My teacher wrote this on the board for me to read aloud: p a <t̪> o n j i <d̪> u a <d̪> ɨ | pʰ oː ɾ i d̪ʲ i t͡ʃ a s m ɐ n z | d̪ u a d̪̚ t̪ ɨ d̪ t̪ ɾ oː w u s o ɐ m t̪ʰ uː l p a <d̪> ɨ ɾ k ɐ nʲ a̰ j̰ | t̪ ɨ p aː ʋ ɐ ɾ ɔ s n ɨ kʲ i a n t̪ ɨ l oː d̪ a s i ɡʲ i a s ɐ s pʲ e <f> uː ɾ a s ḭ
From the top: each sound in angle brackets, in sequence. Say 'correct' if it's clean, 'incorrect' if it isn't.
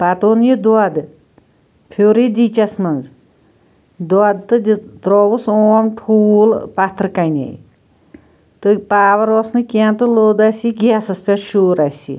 correct, correct, correct, incorrect: t̪, incorrect: ʃ

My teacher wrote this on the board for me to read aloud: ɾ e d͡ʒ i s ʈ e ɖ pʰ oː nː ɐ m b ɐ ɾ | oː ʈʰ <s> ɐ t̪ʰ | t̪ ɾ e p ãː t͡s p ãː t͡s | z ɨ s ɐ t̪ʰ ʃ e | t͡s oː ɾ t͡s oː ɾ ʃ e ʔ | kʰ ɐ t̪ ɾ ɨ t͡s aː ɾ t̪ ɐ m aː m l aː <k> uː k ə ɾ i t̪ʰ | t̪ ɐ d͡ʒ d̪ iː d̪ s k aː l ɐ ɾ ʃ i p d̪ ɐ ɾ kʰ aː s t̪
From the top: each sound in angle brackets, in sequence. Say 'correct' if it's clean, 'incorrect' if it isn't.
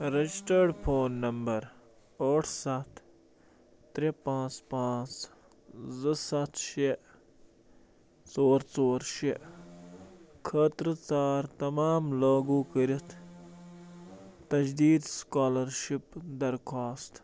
correct, incorrect: ɡ

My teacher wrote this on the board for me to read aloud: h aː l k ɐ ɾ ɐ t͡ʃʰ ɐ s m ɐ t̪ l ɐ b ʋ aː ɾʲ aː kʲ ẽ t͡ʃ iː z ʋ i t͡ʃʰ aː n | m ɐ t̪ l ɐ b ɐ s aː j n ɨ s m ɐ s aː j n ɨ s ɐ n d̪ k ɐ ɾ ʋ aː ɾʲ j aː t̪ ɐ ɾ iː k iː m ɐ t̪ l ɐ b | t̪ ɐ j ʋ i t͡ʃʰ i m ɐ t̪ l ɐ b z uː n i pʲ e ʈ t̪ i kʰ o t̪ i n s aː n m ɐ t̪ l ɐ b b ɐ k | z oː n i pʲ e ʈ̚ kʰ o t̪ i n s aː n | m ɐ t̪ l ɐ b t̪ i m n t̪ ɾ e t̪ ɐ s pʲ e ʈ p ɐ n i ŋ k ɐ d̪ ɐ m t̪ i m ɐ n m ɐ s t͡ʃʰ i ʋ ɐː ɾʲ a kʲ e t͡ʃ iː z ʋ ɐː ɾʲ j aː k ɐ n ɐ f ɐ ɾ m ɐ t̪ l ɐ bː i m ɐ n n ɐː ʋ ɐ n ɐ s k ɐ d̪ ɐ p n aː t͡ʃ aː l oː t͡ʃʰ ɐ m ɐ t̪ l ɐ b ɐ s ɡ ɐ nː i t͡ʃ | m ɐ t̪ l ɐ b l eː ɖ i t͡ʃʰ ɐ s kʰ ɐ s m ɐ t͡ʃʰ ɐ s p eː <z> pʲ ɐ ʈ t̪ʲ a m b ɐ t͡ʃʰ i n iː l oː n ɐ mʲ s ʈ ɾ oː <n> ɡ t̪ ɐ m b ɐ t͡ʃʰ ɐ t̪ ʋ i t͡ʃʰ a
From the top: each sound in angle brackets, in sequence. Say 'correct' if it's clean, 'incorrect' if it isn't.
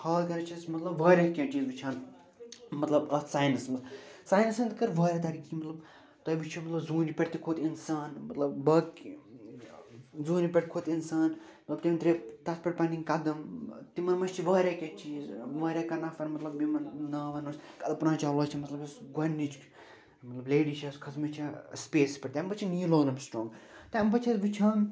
incorrect: s, incorrect: ŋ

